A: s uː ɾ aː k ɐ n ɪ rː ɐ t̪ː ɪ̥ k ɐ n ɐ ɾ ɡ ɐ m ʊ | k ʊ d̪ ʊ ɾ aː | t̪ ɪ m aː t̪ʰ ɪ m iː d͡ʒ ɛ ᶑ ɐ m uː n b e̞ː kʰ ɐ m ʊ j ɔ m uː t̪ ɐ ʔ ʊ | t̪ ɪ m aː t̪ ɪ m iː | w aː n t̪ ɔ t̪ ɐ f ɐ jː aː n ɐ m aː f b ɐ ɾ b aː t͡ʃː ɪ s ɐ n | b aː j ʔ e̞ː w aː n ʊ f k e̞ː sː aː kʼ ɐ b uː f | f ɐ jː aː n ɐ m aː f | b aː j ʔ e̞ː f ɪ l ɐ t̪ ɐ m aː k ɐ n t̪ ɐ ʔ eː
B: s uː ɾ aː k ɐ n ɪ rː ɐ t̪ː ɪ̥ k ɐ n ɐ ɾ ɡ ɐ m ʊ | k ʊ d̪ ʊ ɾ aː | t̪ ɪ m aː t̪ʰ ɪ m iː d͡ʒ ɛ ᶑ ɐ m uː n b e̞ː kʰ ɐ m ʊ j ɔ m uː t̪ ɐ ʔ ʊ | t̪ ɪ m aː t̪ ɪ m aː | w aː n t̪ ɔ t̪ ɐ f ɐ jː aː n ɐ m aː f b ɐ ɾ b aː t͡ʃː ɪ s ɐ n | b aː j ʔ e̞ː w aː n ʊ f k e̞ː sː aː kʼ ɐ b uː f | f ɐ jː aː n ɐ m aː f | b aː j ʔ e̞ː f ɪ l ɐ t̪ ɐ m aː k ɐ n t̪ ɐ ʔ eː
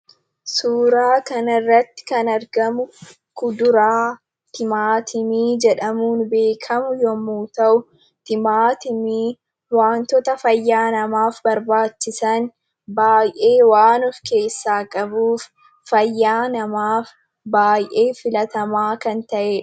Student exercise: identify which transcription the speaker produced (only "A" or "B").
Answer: A